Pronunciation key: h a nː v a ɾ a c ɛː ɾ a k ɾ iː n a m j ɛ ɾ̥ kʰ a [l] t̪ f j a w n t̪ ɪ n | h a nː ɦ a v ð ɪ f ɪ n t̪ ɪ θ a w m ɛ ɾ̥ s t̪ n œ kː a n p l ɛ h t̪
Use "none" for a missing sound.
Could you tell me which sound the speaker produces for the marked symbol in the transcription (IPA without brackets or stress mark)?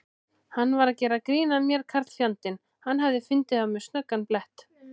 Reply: ɾ